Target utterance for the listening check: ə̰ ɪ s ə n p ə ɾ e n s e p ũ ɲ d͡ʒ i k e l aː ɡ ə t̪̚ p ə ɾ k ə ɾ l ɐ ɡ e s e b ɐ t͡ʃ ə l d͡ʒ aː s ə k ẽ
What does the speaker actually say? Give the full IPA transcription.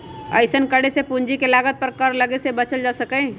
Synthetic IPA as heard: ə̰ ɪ s ə n k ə ɽ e s e p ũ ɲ d͡ʒ i k e l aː ɡ ə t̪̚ p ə ɾ k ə ɾ l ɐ ɡ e s e b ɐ t͡ʃ ə l d͡ʒ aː s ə k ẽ